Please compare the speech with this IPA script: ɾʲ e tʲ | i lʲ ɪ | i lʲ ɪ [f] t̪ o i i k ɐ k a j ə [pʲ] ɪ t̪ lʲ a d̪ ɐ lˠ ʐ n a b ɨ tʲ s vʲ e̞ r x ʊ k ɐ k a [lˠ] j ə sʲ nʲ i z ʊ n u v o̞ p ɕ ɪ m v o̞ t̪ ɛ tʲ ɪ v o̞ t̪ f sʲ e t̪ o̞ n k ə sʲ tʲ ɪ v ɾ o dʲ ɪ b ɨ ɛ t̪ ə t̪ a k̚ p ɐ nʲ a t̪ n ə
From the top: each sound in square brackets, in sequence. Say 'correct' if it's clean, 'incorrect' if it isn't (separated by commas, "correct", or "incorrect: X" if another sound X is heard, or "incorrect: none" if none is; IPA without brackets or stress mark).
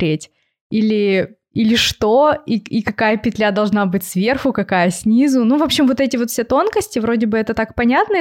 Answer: incorrect: ʂ, correct, incorrect: none